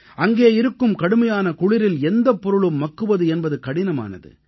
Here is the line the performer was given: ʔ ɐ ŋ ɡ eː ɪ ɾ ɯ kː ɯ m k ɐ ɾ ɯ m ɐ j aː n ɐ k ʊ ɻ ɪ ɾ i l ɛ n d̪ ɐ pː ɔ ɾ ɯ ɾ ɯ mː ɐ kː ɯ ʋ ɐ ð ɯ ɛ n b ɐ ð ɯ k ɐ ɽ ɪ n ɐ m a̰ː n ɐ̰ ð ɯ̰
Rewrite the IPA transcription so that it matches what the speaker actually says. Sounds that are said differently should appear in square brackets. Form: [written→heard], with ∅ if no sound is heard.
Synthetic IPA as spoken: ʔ ɐ ŋ ɡ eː ɪ ɾ ɯ kː ɯ m k ɐ [ɾ→ɽ] ɯ m ɐ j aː n ɐ k ʊ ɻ ɪ ɾ [i→ɪ] l ɛ n d̪ ɐ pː ɔ ɾ ɯ [ɾ→ɭ] ɯ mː ɐ kː ɯ ʋ ɐ ð ɯ ɛ n b ɐ ð ɯ k ɐ ɽ ɪ n ɐ m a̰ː n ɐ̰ ð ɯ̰